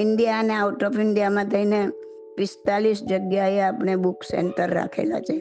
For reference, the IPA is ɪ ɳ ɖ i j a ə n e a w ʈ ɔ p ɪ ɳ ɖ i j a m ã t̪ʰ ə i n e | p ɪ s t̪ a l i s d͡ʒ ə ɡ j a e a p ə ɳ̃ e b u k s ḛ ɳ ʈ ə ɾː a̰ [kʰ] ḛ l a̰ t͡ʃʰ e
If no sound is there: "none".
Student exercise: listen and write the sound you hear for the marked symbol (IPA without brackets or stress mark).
kʰ